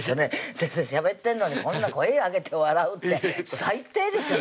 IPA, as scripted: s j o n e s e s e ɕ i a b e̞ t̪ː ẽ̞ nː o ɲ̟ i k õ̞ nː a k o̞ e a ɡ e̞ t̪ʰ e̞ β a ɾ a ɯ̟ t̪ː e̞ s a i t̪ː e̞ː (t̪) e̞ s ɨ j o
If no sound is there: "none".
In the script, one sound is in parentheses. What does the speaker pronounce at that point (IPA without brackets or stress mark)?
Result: d̪